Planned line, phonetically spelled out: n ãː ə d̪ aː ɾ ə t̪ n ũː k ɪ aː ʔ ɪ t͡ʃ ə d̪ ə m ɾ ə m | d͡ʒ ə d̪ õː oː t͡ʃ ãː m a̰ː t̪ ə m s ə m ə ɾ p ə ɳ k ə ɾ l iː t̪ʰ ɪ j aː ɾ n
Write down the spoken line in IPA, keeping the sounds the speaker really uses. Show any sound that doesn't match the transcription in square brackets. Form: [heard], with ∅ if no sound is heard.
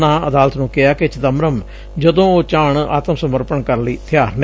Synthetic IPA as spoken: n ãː ə d̪ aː [l] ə t̪ n ũː k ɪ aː [k] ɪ t͡ʃ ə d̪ ə m ɾ ə m | d͡ʒ ə d̪ õː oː t͡ʃ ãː [ɳ] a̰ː t̪ ə m s ə m ə ɾ p ə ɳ k ə ɾ l iː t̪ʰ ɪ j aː ɾ n

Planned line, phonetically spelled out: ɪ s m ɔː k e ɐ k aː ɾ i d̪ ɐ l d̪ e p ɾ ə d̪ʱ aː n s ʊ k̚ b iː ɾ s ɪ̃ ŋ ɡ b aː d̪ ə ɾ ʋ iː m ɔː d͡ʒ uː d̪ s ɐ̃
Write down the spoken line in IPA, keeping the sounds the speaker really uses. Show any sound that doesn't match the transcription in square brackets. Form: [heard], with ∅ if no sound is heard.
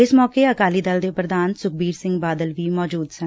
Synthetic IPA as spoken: ɪ s m ɔː k e ɐ k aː [l] i d̪ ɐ l d̪ e p ɾ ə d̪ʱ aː n s ʊ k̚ b iː ɾ s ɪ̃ ŋ ɡ b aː d̪ ə [l] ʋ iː m ɔː d͡ʒ uː d̪ s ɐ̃

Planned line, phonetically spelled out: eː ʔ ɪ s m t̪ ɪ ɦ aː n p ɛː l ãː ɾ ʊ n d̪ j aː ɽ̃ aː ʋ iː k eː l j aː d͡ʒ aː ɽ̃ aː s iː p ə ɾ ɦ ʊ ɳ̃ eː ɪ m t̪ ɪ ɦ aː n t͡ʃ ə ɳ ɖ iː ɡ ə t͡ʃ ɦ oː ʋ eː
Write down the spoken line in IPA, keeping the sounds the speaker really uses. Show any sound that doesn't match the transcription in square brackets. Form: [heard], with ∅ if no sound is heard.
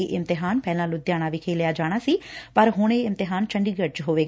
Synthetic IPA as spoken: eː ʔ ɪ [∅] m t̪ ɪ ɦ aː n p ɛː l ãː [l] ʊ [∅] d̪ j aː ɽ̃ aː ʋ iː [kʰ] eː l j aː d͡ʒ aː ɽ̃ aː s iː p ə ɾ ɦ ʊ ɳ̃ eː ɪ m t̪ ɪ ɦ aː n t͡ʃ ə ɳ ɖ iː ɡ ə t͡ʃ ɦ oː ʋ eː

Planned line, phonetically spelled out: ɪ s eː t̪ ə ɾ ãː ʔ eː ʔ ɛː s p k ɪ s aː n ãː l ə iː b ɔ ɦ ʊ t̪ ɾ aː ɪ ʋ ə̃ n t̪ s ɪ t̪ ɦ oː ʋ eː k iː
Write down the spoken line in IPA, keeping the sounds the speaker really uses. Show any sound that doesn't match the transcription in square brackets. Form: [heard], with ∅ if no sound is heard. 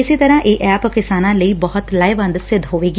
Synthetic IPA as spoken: ɪ s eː t̪ ə ɾ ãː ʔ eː ʔ ɛː [∅] p k ɪ s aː n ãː l ə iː b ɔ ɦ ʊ t̪ [l] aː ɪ ʋ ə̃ n [d̪] s ɪ [d̪] ɦ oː ʋ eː [ɡ] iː

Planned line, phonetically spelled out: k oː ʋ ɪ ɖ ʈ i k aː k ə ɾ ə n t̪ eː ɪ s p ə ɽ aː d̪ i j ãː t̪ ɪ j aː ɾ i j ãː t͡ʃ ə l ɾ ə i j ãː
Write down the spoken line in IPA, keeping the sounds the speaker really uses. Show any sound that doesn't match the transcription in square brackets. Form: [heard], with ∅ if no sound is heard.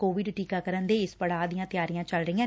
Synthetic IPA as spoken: k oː ʋ ɪ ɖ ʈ [iː] k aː k ə ɾ ə n [d̪] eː ɪ s p ə ɽ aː d̪ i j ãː t̪ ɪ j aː ɾ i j ãː t͡ʃ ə l ɾ ə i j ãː

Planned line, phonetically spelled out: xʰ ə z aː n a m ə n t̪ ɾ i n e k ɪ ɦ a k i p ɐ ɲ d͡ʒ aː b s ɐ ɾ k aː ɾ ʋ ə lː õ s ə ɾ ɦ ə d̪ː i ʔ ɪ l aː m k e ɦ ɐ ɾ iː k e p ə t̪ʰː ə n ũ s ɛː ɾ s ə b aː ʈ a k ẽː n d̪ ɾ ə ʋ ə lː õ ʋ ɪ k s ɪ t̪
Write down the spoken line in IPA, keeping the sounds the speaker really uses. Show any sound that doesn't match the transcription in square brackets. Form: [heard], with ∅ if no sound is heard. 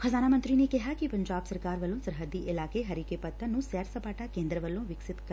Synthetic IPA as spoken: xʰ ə z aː n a m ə n t̪ ɾ i n e k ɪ ɦ a k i p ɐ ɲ d͡ʒ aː b s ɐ ɾ k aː ɾ ʋ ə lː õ s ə ɾ ɦ ə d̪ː i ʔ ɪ l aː [∅] k e ɦ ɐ ɾ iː k e p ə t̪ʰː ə n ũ s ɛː ɾ s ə [p] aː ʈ a k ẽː n d̪ ɾ ə ʋ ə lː õ ʋ ɪ k s ɪ t̪

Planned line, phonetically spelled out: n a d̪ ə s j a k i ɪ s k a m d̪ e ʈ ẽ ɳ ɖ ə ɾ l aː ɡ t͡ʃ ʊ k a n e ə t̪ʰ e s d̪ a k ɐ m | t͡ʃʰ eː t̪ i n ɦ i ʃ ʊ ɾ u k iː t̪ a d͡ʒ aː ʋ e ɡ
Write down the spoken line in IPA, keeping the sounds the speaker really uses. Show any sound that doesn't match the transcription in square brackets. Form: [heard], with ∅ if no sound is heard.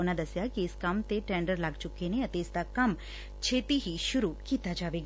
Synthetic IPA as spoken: n a d̪ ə s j a k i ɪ s k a m [t̪] e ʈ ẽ ɳ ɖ ə ɾ l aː ɡ t͡ʃ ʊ k [e] n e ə [t̪] e s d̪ a k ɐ m | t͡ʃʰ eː t̪ i [∅] ɦ i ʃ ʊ ɾ u k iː t̪ a d͡ʒ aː ʋ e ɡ

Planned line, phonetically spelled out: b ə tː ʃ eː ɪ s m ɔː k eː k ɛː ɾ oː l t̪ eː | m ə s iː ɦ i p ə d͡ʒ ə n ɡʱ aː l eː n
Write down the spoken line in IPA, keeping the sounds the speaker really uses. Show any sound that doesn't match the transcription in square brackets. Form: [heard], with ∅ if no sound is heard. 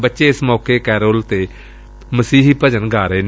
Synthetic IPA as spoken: b ə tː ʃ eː ɪ s m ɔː k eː k ɛː ɾ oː l t̪ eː | m ə s iː ɦ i p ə d͡ʒ ə n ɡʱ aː [ɾ] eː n

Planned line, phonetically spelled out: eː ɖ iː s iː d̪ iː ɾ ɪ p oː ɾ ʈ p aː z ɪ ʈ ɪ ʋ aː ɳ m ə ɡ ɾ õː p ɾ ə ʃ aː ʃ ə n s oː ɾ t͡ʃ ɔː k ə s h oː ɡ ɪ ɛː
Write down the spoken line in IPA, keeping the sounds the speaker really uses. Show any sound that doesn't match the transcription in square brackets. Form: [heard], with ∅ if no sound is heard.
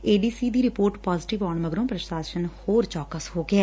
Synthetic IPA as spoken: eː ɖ iː s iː d̪ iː ɾ ɪ p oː ɾ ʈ p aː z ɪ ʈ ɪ ʋ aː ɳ m ə ɡ ɾ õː p ɾ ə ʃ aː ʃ ə n [h] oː ɾ t͡ʃ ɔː k ə s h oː ɡ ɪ ɛː

